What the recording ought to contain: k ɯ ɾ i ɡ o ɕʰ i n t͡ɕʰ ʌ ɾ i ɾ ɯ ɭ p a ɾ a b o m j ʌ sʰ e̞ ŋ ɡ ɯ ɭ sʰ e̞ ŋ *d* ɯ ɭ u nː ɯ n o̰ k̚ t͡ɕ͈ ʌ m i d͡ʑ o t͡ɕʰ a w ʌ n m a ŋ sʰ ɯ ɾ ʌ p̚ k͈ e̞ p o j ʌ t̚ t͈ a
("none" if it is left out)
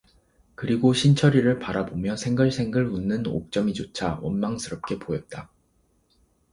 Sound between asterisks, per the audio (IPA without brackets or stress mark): ɡ